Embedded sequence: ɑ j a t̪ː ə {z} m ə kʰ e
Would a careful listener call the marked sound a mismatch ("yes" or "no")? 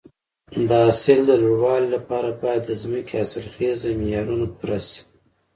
no